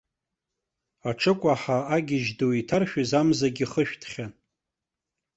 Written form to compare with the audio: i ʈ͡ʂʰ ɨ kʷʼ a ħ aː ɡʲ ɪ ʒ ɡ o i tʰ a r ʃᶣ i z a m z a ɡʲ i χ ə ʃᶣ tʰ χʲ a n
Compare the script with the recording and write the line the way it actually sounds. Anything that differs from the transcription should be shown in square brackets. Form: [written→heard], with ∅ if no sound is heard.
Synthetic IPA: [i→a] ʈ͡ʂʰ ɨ kʷʼ a ħ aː ɡʲ ɪ ʒ [ɡ→d] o i tʰ a r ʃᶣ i z a m z a ɡʲ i χ ə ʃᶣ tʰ χʲ a n